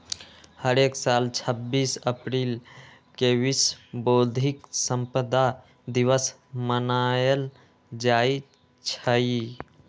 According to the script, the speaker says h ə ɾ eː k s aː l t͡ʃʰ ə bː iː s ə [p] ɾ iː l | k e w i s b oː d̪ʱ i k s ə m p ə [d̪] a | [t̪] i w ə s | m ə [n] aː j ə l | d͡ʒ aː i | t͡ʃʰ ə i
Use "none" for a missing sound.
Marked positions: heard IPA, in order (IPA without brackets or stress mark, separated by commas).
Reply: p, d̪, d̪, n